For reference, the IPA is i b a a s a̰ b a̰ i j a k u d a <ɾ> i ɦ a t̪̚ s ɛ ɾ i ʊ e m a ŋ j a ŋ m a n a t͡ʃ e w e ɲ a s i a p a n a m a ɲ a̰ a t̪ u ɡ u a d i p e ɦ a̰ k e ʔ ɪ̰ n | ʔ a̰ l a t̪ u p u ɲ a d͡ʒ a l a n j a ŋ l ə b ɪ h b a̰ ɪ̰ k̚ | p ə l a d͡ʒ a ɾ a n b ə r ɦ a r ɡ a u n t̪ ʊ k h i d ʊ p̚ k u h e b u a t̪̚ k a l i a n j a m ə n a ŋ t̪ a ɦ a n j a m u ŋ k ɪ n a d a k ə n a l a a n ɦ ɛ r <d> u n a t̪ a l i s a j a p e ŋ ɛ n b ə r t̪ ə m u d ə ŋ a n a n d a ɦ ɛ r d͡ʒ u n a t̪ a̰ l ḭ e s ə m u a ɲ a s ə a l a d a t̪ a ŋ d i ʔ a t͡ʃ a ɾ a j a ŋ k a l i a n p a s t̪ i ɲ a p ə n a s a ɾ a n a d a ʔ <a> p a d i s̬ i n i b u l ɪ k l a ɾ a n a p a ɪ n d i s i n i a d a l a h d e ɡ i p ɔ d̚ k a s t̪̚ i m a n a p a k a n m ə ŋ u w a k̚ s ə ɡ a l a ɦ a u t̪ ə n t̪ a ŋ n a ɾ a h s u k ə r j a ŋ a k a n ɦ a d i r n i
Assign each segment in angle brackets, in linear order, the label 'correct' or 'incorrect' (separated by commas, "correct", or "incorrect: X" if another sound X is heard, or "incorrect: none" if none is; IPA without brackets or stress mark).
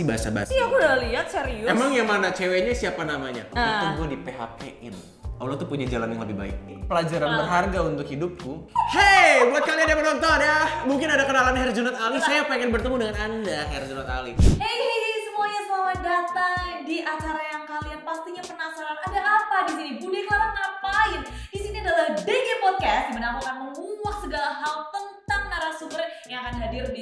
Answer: incorrect: l, incorrect: d͡ʒ, correct